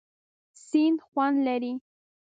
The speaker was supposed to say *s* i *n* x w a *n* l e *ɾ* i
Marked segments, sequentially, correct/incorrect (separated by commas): correct, correct, correct, correct